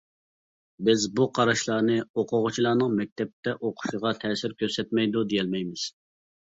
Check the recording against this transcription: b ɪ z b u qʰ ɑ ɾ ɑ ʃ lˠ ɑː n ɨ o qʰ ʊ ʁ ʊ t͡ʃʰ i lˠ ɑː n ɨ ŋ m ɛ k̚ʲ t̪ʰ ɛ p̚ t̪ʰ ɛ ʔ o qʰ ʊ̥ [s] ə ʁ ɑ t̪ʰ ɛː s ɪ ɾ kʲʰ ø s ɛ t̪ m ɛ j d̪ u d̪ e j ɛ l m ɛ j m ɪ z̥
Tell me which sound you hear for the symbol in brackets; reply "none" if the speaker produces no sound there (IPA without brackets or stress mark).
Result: ʃ